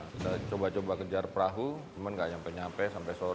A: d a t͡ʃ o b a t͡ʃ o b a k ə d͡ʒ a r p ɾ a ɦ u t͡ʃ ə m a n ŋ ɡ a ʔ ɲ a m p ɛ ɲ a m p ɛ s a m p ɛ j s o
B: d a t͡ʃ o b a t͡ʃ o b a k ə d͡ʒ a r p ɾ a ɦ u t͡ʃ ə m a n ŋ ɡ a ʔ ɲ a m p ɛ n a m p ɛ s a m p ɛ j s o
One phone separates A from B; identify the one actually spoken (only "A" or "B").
A